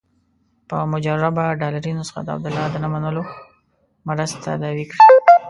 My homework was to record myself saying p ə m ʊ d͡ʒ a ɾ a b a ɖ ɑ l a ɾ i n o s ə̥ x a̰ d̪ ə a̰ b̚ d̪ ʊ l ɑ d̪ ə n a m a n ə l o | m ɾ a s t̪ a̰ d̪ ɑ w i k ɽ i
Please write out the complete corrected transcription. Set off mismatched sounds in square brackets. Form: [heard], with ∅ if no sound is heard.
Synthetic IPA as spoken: p ə m ʊ d͡ʒ a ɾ a b a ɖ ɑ l a ɾ i n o s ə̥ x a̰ d̪ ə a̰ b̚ d̪ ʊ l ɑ d̪ ə n a m a n ə l o | m ɾ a s t̪ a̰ d̪ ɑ w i k ɽ i